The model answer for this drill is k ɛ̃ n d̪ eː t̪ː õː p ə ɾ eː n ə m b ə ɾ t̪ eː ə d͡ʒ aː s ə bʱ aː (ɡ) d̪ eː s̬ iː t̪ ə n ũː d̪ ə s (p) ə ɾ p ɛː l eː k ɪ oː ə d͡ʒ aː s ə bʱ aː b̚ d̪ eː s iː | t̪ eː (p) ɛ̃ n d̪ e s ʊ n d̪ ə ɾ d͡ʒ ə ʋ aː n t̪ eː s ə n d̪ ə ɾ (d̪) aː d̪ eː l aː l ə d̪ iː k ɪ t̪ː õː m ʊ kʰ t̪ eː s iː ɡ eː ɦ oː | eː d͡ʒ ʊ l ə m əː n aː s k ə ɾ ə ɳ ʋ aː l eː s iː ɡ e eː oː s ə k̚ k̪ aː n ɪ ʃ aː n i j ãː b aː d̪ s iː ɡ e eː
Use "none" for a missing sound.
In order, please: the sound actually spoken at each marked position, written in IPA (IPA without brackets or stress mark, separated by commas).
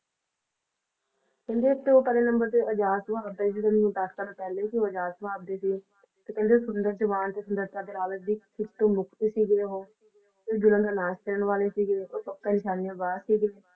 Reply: b, k, k, t̪